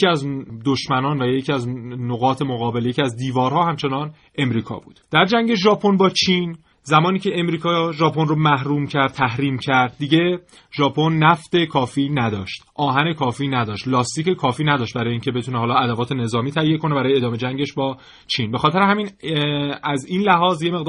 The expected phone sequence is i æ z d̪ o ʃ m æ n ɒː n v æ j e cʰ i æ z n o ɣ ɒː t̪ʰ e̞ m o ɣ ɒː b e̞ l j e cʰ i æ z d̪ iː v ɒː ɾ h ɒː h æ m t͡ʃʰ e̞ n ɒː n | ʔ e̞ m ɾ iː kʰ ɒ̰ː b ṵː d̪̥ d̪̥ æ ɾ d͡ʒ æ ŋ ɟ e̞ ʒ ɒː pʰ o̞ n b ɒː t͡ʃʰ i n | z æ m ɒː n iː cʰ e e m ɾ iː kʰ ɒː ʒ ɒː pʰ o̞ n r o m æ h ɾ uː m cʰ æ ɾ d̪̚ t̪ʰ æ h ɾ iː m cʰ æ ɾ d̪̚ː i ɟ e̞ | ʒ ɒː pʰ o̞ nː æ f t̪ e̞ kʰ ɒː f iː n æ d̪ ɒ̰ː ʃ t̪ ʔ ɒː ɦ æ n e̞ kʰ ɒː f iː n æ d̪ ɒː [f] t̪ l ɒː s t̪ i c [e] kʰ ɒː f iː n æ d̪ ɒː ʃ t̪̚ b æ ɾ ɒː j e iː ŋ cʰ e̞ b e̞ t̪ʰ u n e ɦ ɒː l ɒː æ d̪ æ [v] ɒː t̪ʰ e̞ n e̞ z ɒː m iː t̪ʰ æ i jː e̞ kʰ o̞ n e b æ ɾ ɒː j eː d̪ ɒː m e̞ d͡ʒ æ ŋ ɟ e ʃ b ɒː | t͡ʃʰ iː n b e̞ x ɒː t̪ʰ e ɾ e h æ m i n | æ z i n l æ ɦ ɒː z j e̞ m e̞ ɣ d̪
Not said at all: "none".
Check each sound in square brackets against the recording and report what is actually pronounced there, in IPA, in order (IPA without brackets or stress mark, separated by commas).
ʃ, e, v